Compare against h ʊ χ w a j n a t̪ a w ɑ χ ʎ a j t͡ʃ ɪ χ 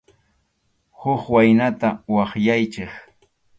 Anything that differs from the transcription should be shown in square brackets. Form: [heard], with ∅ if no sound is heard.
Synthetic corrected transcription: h ʊ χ w a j n a t̪ a w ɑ χ [j] a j t͡ʃ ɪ χ